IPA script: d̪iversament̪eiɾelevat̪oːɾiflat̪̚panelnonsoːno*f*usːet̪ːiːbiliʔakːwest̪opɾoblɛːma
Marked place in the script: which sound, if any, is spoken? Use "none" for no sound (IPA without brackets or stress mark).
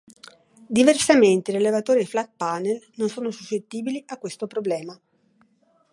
s